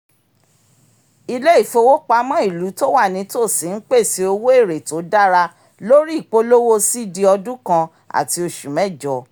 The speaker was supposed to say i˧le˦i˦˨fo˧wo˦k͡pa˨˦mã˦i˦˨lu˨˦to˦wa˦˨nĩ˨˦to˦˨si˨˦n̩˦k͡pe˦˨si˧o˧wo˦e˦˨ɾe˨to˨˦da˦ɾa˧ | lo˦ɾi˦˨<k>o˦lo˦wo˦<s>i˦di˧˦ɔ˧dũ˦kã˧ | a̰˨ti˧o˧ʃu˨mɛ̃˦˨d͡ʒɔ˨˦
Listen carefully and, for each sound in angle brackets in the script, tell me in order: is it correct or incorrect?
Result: incorrect: k͡p, correct

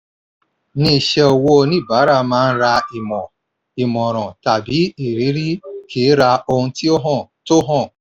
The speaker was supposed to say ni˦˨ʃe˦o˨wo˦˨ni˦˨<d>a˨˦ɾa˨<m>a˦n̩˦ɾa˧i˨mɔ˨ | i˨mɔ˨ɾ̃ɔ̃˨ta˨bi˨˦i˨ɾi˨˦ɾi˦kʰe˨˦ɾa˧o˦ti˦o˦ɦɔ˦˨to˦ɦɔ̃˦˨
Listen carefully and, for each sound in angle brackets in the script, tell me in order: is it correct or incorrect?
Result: incorrect: b, correct

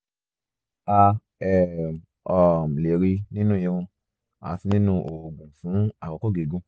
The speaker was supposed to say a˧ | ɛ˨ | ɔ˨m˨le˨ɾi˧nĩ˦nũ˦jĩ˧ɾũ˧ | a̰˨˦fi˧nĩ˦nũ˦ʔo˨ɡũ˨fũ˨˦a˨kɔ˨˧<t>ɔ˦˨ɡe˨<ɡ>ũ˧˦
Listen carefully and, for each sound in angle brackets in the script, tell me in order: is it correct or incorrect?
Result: incorrect: k, correct

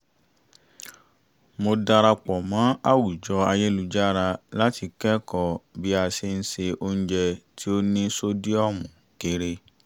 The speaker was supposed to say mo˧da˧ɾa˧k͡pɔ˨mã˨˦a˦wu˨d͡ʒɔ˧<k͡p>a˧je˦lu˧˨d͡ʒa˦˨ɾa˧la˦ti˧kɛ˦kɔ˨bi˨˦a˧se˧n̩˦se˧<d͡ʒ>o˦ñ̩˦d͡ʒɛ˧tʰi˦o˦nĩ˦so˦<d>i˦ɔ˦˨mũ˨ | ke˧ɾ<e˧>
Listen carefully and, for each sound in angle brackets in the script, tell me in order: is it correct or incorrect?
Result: incorrect: none, incorrect: none, correct, correct

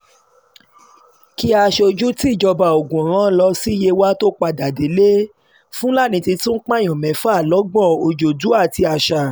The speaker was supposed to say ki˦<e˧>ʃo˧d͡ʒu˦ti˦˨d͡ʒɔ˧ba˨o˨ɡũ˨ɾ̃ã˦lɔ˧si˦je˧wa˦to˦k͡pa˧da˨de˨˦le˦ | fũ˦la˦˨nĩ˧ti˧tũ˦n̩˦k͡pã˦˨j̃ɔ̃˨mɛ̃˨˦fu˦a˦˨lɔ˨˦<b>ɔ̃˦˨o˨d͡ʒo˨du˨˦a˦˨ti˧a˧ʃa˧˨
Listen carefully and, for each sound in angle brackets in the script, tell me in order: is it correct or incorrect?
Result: incorrect: a˧, incorrect: ɡ͡b

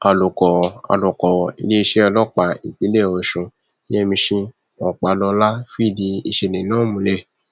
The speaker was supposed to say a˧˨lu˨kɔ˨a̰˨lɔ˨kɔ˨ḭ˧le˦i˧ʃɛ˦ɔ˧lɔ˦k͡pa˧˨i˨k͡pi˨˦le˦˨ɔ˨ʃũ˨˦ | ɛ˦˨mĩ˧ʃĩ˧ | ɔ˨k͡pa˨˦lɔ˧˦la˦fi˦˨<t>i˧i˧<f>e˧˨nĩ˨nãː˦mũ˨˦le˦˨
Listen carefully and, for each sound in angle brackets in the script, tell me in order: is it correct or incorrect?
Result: incorrect: d, incorrect: ʃ

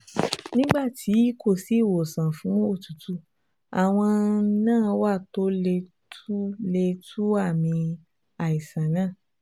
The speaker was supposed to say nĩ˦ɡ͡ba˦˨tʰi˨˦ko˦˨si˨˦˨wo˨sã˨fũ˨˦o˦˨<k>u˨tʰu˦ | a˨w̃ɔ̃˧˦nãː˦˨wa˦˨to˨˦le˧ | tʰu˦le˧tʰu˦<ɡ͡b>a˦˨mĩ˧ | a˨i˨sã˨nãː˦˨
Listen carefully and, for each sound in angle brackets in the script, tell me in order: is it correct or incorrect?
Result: incorrect: t, incorrect: none

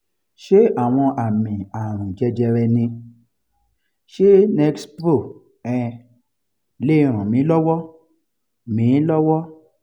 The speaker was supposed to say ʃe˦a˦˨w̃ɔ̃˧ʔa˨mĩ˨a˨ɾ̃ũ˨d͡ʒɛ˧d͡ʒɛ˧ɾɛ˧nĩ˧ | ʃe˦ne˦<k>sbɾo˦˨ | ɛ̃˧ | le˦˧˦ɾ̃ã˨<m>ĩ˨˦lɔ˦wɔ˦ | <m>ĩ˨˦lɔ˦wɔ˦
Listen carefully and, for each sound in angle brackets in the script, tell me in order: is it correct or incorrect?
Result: correct, correct, correct

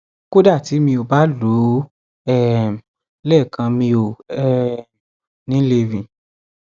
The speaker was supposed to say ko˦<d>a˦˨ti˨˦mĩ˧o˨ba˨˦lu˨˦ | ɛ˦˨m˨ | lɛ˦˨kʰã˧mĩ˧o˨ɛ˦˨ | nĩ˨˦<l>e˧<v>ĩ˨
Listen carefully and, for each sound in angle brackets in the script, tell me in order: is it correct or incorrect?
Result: correct, correct, correct

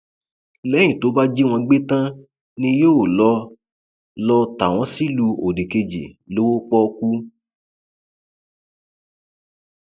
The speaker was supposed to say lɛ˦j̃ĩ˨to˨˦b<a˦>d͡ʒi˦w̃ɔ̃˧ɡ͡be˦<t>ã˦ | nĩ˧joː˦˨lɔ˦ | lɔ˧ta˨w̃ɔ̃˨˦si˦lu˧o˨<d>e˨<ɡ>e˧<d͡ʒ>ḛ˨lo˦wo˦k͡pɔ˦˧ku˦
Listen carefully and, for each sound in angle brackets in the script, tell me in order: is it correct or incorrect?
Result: correct, correct, correct, incorrect: k, correct

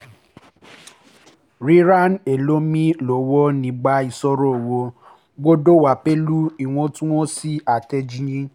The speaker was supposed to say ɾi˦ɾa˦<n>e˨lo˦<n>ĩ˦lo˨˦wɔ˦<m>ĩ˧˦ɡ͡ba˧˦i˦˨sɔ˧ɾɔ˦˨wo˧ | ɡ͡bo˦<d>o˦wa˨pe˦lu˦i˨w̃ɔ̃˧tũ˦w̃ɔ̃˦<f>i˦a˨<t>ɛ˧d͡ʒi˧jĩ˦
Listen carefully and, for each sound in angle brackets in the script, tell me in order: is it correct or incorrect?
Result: correct, incorrect: m, incorrect: n, correct, incorrect: s, correct

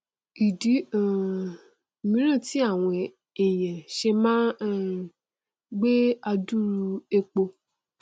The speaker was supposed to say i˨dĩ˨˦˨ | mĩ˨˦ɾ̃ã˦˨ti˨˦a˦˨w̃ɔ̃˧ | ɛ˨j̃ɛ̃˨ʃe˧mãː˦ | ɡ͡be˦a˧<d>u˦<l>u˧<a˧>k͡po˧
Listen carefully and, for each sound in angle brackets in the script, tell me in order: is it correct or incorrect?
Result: correct, incorrect: ɾ, incorrect: e˧

